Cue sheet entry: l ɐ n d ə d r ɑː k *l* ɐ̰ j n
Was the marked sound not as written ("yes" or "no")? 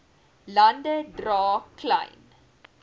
no